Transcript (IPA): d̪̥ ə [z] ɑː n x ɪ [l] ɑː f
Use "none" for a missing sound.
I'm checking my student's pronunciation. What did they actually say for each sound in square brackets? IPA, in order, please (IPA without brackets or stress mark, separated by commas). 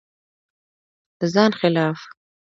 z, l